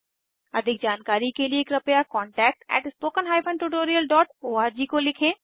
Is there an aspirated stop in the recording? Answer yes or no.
yes